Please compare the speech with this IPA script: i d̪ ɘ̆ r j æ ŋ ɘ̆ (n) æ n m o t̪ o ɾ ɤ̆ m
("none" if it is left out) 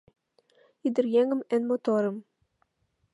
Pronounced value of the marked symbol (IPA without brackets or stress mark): m